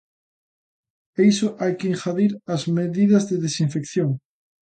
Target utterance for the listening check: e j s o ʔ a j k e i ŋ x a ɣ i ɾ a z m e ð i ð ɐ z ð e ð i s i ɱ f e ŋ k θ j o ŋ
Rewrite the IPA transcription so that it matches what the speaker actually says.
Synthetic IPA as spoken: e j s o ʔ a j k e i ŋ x a ð i ɾ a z m e ð i ð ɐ z ð e ð e s i ɱ f e k θ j o ŋ